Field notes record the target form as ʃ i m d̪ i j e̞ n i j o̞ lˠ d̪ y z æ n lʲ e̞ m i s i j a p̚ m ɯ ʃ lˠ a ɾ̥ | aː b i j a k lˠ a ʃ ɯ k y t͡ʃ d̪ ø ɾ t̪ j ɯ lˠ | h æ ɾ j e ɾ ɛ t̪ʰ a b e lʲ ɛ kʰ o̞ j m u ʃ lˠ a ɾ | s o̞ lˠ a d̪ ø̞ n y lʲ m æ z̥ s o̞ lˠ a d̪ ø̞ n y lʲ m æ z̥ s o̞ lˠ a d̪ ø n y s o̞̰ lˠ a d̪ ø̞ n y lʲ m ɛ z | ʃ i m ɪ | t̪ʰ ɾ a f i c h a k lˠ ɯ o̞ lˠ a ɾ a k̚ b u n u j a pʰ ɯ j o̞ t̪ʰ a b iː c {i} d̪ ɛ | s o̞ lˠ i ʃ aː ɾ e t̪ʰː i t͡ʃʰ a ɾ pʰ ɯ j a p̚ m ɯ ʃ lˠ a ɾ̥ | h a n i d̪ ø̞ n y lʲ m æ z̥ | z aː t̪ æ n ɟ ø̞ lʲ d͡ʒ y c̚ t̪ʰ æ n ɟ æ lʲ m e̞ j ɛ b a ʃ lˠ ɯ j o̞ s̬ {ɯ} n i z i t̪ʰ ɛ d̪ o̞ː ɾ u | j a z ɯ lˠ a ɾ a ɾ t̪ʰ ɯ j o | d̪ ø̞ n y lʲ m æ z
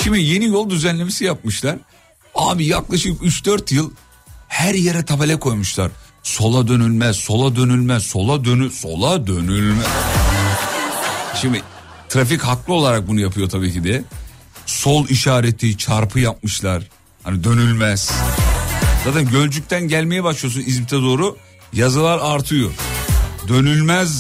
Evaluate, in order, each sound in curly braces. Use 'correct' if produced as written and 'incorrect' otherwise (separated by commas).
correct, incorrect